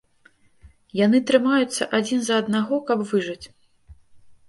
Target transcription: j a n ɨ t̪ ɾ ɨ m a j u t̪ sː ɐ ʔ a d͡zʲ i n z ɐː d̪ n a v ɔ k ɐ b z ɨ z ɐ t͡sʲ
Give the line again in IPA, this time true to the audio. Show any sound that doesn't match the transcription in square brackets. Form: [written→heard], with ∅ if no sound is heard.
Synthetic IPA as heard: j a n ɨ t̪ ɾ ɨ m a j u t̪ sː ɐ ʔ a d͡zʲ i n z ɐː d̪ n a [v→ɣ] ɔ k ɐ b [z→v] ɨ [z→ʐ] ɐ t͡sʲ